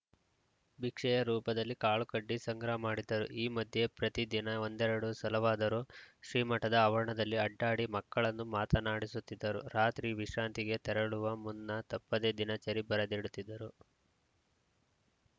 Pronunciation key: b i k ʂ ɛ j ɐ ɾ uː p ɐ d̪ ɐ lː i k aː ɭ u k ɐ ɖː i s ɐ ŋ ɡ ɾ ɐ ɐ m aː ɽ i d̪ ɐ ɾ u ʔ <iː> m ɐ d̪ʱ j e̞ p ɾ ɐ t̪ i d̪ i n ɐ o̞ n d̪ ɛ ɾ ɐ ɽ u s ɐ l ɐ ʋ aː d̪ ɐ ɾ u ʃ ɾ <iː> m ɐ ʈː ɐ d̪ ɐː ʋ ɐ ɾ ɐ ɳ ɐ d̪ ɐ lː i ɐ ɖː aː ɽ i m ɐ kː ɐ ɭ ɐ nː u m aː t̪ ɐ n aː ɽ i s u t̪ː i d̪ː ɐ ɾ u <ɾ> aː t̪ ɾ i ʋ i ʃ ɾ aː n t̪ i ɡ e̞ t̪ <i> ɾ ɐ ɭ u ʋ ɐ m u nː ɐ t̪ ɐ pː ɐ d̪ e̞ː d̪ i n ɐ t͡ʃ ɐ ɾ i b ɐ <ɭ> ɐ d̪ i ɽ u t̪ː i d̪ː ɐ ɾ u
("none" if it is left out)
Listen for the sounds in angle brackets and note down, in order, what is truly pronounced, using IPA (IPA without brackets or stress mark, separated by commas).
iː, iː, ɾ, ɛ, ɾ